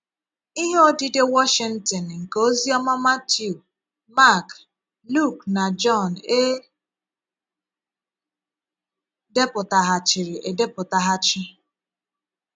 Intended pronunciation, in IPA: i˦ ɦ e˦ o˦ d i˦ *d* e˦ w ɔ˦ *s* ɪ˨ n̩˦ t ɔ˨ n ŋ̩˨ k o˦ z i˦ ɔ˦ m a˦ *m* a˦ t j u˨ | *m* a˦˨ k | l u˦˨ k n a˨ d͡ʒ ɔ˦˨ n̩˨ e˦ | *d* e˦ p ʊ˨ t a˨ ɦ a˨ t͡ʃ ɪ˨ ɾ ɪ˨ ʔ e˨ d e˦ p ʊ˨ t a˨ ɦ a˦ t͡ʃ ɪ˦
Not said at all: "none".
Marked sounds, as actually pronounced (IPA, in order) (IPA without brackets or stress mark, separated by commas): d, ʃ, m, m, d